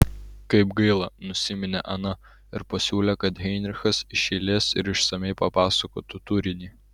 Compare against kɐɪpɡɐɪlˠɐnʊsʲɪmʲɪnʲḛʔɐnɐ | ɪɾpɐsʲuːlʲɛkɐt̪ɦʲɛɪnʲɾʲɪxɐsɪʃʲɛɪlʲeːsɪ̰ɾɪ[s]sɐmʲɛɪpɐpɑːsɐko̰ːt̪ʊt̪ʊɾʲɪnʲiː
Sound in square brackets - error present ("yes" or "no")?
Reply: yes